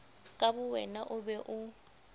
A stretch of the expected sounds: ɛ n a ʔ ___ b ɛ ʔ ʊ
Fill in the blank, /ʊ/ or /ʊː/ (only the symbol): ʊ